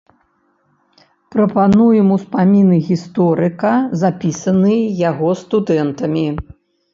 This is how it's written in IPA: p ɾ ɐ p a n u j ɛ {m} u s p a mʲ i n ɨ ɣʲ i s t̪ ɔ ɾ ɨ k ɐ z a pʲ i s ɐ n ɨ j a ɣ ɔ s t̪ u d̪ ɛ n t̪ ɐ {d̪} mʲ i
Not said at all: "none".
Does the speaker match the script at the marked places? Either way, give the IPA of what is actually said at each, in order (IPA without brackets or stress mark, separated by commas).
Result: m, none